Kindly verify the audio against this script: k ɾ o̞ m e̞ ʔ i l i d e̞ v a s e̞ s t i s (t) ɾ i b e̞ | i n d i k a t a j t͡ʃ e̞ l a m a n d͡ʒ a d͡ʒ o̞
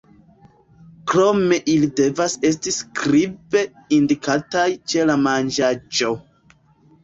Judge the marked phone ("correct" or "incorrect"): incorrect